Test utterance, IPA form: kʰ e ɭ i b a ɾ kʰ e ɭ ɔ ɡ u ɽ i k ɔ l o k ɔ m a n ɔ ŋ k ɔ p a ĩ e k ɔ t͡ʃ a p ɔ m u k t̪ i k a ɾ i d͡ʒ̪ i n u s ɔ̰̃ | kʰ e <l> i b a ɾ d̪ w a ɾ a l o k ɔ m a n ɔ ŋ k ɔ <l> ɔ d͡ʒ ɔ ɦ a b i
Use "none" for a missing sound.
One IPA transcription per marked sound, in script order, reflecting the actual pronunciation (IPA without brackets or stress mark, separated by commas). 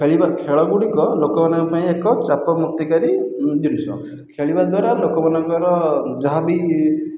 ɭ, ɾ